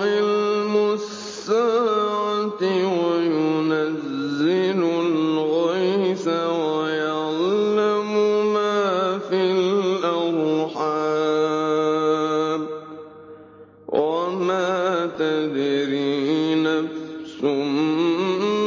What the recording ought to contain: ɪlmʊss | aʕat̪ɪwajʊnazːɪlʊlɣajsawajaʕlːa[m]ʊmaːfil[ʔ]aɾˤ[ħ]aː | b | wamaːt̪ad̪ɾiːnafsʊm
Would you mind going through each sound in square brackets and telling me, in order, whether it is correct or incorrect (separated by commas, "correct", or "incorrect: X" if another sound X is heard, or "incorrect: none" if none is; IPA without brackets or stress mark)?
correct, correct, correct